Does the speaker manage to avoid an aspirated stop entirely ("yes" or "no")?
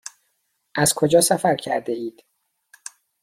no